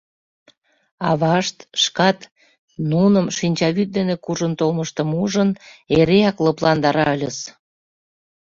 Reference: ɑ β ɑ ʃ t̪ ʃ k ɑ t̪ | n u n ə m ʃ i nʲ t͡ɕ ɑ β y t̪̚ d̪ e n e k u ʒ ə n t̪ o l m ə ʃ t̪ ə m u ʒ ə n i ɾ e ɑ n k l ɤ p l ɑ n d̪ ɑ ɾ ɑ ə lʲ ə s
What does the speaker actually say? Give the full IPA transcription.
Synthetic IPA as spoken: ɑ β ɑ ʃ t̪ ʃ k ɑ t̪ | n u n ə m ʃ i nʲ t͡ɕ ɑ β y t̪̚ d̪ e n e k u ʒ ə n t̪ o l m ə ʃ t̪ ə m u ʒ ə n e ɾ e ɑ k l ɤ p l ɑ n d̪ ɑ ɾ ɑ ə lʲ ə s